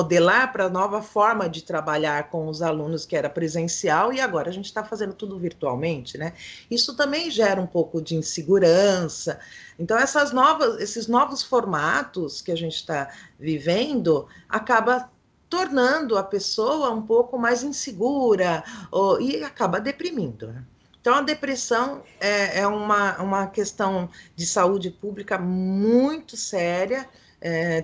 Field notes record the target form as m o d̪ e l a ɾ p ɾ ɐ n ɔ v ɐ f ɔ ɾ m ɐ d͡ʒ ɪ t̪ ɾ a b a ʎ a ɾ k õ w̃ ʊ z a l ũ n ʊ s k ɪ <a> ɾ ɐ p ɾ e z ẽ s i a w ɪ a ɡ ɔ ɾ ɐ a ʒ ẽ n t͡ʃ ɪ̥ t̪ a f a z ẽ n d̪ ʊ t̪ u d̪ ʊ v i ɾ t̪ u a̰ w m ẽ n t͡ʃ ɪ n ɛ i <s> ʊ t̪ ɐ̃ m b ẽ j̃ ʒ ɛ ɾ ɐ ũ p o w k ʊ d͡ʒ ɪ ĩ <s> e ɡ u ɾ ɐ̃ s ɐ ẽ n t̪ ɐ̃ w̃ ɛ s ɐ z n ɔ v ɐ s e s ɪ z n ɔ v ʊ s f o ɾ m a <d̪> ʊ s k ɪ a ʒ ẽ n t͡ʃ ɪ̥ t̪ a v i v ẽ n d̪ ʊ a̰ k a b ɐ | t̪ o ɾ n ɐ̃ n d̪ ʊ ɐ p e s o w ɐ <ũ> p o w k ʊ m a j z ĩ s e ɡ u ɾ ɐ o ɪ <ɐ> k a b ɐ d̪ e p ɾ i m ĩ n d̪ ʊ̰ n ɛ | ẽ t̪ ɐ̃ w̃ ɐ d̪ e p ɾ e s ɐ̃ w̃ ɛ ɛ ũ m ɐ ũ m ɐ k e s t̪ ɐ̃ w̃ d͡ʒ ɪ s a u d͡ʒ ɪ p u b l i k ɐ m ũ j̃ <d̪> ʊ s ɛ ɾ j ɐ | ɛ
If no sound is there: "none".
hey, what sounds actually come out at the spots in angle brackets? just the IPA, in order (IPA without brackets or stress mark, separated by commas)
ɛ, s, s, t̪, ũ, a, t̪